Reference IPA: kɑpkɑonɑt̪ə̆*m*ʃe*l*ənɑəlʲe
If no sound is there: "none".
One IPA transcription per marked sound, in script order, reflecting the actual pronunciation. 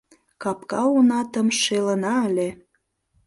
m, l

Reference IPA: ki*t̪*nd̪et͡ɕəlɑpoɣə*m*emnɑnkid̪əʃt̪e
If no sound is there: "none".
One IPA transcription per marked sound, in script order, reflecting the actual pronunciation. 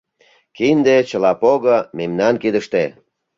none, m

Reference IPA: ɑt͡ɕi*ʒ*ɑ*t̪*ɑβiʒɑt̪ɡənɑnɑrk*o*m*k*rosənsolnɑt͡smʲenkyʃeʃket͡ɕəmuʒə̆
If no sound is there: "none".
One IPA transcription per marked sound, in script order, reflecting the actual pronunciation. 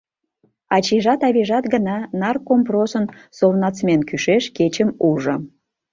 ʒ, t̪, o, p

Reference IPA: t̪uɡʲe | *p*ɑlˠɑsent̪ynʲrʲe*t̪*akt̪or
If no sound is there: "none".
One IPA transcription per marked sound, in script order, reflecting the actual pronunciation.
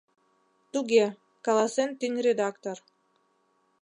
k, d̪

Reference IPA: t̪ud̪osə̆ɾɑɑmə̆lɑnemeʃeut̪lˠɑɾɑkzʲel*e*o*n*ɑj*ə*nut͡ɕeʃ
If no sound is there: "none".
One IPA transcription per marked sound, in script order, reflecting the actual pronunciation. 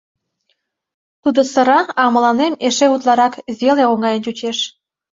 e, ŋ, ə

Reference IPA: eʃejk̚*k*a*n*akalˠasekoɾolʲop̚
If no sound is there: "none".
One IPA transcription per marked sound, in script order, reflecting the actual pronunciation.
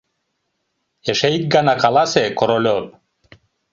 ɡ, n

